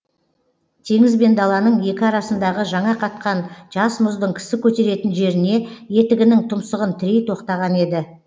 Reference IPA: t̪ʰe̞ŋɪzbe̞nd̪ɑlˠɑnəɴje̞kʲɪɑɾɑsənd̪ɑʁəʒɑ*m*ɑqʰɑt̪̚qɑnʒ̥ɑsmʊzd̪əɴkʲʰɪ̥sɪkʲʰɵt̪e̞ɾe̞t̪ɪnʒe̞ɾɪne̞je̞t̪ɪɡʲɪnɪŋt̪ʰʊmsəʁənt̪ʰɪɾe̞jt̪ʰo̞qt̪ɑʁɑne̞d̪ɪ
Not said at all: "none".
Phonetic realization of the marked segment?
ɴ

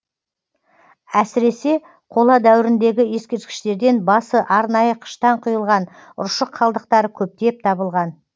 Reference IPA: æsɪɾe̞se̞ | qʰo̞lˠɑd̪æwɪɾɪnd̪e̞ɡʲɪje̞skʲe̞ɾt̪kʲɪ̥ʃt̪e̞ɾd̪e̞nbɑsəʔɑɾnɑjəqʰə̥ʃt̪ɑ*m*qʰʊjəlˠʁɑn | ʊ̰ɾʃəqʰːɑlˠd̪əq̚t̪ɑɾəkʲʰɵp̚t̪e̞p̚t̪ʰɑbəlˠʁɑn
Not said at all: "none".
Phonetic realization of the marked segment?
ɴ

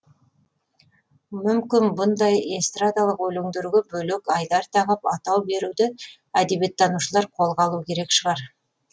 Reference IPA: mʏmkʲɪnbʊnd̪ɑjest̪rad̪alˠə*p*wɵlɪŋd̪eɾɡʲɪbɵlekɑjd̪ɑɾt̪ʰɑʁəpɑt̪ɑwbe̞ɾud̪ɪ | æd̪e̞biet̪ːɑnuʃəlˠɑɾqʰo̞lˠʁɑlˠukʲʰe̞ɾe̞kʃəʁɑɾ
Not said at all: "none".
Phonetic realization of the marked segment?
q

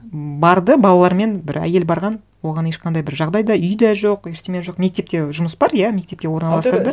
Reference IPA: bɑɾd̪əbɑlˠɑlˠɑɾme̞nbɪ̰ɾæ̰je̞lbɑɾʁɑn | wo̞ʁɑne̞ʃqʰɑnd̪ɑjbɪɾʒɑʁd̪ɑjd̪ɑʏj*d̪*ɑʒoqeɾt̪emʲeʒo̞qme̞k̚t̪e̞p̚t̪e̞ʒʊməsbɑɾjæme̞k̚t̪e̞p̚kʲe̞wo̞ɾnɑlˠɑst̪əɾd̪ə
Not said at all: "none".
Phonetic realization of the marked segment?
d̪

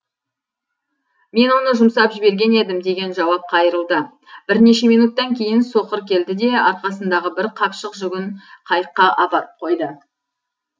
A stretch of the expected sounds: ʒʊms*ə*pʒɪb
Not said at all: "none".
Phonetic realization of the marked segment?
ɑ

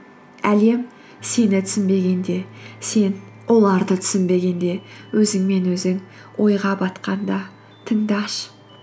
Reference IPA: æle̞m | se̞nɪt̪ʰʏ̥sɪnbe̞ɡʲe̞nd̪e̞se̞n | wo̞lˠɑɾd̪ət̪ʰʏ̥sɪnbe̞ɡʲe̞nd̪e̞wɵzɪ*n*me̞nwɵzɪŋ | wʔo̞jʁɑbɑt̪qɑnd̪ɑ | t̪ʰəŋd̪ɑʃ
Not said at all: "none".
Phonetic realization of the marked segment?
ŋ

